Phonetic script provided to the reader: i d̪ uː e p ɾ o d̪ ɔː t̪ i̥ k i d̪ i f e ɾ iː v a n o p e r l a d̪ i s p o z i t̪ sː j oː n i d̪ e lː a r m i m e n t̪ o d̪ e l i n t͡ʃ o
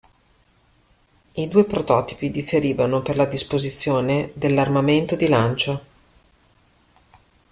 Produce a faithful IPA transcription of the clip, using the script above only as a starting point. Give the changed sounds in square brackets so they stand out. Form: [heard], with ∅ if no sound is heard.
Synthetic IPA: i d̪ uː e p ɾ o [t̪] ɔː t̪ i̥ [p] i d̪ i f e ɾ iː v a n o p e r l a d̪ i s p o z i t̪ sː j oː n [e] d̪ e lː a r m [a] m e n t̪ o d̪ [i] l [a] n t͡ʃ o